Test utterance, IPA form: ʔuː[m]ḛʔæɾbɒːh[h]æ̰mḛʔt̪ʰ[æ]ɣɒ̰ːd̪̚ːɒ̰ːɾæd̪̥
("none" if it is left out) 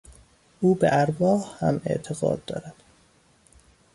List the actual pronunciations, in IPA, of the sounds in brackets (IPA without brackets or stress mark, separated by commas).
b, h, e